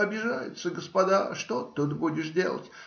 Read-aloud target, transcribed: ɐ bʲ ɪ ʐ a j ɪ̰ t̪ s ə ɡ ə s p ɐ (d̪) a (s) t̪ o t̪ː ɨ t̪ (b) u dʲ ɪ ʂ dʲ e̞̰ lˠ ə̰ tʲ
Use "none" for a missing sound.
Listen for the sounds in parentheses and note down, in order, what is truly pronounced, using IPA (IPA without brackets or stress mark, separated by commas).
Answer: d̪, ʂ, b